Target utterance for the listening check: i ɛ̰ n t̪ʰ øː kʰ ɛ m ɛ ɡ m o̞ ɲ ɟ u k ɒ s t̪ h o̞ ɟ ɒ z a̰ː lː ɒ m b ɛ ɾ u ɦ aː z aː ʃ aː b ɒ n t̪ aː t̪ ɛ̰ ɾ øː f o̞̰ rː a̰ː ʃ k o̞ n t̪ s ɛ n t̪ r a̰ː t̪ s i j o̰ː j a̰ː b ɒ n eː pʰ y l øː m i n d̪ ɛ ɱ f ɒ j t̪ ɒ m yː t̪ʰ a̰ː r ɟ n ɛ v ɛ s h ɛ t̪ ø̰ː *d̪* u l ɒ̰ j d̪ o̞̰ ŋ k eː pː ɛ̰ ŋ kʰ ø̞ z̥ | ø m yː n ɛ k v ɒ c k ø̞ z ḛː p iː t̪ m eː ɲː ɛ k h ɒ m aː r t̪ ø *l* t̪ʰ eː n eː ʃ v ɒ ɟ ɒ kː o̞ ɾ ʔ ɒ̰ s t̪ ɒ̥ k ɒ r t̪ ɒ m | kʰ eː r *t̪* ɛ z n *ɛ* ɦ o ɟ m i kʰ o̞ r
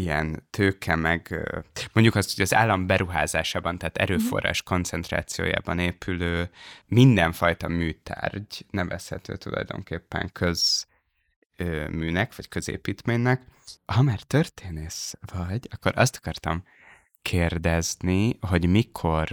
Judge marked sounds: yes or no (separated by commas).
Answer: no, no, no, no